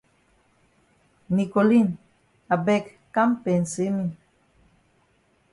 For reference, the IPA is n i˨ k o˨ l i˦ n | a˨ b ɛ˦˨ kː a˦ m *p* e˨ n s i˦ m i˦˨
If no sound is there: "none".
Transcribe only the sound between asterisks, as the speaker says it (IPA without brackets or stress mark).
p